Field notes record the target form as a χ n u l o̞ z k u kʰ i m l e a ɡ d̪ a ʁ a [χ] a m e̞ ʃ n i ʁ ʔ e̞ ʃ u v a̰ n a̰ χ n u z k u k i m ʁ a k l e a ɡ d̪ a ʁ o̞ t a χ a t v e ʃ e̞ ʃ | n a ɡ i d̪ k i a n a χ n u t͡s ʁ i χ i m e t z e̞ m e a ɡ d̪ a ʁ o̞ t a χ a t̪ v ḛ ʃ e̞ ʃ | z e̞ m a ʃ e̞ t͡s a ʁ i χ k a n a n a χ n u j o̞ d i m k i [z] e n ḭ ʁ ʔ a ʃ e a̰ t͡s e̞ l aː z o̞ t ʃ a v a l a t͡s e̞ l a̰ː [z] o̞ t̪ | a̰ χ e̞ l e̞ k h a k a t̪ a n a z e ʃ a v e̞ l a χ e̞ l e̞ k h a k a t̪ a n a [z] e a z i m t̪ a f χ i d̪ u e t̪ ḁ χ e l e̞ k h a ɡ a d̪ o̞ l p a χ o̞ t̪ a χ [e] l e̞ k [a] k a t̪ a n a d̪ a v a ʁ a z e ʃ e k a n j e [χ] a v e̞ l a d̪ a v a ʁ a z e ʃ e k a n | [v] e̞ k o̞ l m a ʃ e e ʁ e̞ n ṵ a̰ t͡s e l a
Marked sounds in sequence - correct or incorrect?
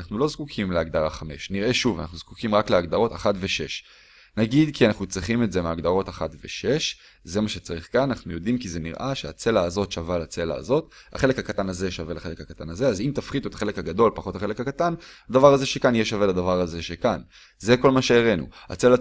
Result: correct, correct, correct, correct, correct, correct, incorrect: ʃ, incorrect: z

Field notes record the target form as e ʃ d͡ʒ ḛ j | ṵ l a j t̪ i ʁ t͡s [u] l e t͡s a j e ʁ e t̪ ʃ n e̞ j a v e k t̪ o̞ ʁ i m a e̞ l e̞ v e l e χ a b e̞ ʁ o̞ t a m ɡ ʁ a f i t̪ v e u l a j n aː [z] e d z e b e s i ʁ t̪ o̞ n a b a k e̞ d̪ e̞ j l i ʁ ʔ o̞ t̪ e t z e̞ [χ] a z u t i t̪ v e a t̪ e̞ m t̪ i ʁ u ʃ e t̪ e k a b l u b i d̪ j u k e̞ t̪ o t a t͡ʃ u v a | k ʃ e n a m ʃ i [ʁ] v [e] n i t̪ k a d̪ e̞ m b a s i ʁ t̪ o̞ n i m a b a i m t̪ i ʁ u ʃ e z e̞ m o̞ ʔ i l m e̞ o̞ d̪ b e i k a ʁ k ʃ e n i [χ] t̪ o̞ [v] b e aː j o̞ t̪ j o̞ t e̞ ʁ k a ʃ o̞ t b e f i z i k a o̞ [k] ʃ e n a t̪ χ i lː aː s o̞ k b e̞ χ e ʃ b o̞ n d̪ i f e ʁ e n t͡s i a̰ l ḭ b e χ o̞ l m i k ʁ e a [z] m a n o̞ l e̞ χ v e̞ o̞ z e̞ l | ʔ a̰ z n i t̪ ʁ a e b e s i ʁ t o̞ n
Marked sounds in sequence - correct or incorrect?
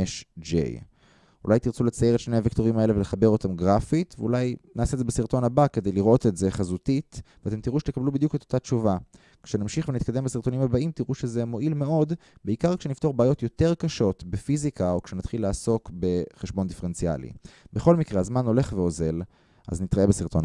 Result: correct, incorrect: s, correct, incorrect: χ, correct, incorrect: f, incorrect: ʁ, correct, correct

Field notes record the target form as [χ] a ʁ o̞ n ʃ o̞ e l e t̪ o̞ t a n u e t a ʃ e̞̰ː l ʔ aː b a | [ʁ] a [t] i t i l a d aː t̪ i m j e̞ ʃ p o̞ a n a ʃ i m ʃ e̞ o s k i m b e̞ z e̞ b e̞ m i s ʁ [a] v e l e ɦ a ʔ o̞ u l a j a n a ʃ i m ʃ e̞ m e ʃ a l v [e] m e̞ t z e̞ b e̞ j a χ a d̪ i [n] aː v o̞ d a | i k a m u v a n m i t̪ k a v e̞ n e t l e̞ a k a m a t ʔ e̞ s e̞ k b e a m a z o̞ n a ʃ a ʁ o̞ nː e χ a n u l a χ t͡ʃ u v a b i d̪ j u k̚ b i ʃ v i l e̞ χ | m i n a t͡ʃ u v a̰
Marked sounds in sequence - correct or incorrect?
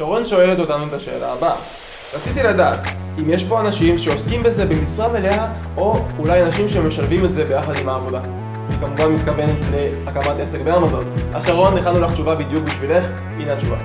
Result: incorrect: ʃ, correct, incorrect: t͡s, correct, incorrect: i, incorrect: m

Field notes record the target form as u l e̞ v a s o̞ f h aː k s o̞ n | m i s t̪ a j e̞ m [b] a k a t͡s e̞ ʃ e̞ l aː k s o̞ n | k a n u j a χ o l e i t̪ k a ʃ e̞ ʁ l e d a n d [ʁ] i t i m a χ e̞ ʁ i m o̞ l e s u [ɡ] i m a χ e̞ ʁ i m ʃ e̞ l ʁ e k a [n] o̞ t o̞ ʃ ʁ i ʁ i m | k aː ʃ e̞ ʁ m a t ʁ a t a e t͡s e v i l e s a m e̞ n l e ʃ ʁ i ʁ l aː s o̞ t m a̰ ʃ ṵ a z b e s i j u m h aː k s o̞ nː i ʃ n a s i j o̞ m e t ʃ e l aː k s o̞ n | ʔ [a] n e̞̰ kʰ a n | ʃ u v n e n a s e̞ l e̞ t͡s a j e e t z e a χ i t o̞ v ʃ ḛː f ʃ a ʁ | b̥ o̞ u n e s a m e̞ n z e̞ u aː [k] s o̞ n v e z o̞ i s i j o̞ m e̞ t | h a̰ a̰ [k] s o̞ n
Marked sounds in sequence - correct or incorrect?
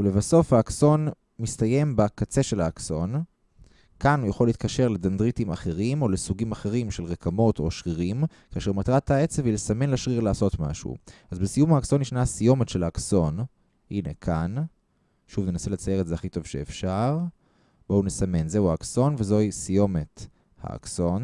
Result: correct, correct, correct, incorrect: m, incorrect: i, correct, correct

